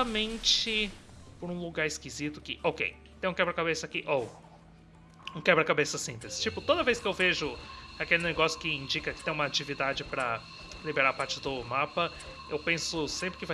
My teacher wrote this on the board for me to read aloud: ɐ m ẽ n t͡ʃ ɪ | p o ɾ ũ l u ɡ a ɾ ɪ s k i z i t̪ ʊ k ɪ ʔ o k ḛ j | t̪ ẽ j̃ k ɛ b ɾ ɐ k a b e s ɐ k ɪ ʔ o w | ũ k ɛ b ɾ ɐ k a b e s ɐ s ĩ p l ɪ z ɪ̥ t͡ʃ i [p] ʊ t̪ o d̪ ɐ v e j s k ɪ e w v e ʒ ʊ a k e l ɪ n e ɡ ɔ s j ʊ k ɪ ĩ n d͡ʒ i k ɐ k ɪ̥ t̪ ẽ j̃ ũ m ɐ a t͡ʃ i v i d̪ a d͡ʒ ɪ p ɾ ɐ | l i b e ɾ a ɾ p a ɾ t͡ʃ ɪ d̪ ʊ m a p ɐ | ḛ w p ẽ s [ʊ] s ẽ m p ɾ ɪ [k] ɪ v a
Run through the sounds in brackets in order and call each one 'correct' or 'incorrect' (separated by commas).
correct, correct, correct